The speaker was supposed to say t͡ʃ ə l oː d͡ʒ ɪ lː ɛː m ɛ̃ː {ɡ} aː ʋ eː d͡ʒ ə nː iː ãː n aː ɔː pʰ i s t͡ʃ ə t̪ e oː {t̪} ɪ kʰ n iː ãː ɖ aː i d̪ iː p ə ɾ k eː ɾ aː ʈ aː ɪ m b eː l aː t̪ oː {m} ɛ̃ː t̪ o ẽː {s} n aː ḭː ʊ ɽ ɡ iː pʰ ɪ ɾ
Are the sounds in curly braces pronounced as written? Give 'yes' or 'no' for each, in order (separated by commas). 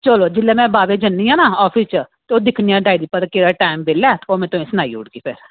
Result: no, no, yes, yes